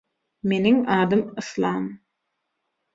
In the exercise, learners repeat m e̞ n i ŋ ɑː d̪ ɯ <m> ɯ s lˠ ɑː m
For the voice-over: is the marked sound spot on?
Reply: yes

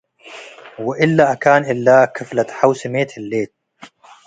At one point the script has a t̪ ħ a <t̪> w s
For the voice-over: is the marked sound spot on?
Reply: no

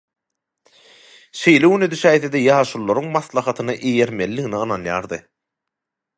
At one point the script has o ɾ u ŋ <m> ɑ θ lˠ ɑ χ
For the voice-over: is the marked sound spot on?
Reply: yes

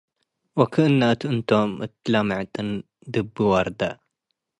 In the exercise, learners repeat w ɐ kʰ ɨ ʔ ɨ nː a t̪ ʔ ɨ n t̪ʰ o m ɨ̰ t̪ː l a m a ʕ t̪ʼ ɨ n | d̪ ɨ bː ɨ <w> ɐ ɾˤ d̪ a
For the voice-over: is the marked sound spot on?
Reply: yes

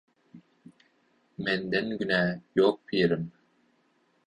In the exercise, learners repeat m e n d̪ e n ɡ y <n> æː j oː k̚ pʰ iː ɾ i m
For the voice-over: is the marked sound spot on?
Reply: yes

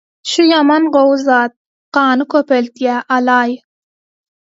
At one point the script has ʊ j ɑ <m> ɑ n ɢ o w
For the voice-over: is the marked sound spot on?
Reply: yes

